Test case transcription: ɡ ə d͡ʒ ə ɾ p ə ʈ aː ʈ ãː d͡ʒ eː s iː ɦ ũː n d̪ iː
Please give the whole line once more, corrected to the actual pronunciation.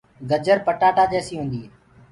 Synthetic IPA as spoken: ɡ ə d͡ʒ ə ɾ p ə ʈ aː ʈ aː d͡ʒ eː s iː ɦ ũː n d̪ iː